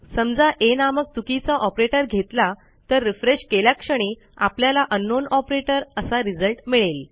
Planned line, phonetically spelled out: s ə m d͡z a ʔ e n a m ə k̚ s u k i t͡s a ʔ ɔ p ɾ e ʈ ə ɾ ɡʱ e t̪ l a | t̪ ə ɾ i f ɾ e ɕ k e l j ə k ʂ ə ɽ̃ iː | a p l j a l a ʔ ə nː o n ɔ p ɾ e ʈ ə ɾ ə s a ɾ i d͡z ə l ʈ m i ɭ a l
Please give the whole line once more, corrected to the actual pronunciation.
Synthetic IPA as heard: s ə m d͡z a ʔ e n a m ə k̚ t͡s u k i t͡s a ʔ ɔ p ɾ e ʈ ə ɾ ɡʱ e t̪ l a | t̪ ə ɾː i f ɾ e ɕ k e l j a k ʂ ə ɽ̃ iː | a p l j a l a ʔ ə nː o n ɔ p ɾ e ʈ ə ɾ ə s a ɾ i d͡z ə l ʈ m i ɭ e l